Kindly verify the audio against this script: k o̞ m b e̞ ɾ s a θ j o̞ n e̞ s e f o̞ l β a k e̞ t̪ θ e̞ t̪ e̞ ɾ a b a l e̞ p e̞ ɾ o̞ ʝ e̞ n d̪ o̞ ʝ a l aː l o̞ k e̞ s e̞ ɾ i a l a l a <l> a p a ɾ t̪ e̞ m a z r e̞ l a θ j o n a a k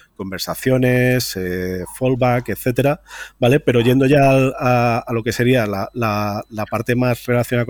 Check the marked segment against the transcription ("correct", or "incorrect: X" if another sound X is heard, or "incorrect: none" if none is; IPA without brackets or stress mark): correct